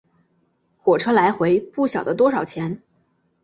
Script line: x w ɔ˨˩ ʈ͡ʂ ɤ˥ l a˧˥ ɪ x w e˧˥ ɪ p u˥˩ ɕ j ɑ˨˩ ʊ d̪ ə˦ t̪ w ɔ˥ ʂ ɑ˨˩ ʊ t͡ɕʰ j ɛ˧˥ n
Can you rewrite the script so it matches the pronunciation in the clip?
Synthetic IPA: x w ɔ˨˩ ʈ͡ʂʰ ɤ˥ l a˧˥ ɪ x w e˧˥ ɪ p u˥˩ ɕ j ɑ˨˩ ʊ d̪ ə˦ t̪ w ɔ˥ ʂ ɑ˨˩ ʊ t͡ɕʰ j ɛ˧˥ n

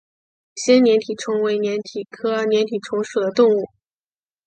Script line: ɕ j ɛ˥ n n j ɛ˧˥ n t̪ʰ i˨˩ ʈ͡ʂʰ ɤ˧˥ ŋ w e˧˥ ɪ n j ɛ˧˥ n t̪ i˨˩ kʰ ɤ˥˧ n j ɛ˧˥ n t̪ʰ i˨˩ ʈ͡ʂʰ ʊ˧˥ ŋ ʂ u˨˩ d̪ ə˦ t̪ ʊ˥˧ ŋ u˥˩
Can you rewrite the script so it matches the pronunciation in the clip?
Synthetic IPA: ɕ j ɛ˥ n n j ɛ˧˥ n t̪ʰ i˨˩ ʈ͡ʂʰ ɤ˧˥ ŋ w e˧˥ ɪ n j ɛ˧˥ n t̪ʰ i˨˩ kʰ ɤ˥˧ n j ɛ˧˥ n t̪ʰ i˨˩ ʈ͡ʂʰ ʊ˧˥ ŋ ʂ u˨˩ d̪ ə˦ t̪ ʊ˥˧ ŋ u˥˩

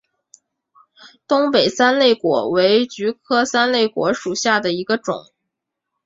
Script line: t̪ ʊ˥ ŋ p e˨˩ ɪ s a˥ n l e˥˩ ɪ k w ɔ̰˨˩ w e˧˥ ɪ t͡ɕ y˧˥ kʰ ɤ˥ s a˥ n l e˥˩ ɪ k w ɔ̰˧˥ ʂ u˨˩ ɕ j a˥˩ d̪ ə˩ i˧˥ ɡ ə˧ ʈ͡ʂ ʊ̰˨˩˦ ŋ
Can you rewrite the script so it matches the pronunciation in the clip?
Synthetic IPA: t̪ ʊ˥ ŋ p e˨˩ ɪ s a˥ n l e˥˩ ɪ k w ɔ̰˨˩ w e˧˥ ɪ t͡ɕ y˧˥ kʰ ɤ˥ s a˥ n l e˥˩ ɪ k w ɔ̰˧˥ ʂ u˨˩ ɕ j a˥˩ d̪ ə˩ i˧˥ ɡ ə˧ ʈ͡ʂ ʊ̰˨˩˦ ŋ

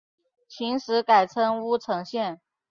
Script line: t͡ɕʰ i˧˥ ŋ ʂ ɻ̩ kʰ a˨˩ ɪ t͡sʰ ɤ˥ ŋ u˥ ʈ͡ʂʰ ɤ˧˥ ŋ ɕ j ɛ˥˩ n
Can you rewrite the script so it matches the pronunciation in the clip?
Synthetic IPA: t͡ɕʰ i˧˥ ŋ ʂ ɻ̩ k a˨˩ ɪ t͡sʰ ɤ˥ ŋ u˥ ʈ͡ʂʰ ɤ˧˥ ŋ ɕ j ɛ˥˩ n

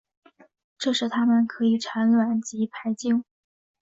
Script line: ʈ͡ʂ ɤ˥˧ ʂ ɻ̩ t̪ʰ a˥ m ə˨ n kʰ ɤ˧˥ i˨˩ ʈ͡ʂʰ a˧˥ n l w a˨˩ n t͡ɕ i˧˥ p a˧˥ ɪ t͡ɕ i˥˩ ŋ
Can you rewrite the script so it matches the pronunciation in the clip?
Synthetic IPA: ʈ͡ʂ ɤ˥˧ ʂ ɻ̩ t̪ʰ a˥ m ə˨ n kʰ ɤ˧˥ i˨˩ ʈ͡ʂʰ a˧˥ n l w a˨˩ n t͡ɕ i˧˥ pʰ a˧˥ ɪ t͡ɕ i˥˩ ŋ

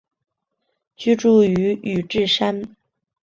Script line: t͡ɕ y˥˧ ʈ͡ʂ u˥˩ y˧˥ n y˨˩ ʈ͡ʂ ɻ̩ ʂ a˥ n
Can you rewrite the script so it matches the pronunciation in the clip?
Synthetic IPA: t͡ɕ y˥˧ ʈ͡ʂ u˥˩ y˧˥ y˨˩ ʈ͡ʂ ɻ̩ ʂ a˥ n

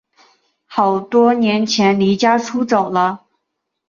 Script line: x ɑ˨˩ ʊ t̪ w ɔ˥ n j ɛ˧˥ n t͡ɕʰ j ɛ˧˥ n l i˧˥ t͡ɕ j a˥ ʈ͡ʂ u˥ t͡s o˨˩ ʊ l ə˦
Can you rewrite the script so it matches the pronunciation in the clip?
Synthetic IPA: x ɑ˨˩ ʊ t̪ w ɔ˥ n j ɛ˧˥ n t͡ɕʰ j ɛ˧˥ n l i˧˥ t͡ɕ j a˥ ʈ͡ʂʰ u˥ t͡s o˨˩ ʊ l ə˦

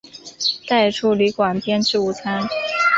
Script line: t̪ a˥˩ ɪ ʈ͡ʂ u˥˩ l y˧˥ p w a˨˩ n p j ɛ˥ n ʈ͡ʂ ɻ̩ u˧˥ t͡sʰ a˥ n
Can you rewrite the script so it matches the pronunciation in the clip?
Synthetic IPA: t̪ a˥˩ ɪ ʈ͡ʂʰ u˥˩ l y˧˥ k w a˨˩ n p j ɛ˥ n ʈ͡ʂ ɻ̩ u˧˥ t͡sʰ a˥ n

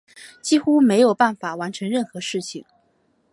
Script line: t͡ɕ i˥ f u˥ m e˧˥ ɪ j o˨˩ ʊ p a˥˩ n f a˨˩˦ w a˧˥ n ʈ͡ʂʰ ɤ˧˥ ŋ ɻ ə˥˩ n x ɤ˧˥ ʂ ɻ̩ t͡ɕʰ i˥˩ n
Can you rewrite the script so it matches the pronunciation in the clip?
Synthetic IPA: t͡ɕ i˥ x u˥ m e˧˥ ɪ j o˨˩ ʊ p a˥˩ n f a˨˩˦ w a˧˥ n ʈ͡ʂʰ ɤ˧˥ ŋ ɻ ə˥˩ n x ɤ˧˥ ʂ ɻ̩ t͡ɕʰ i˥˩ ŋ

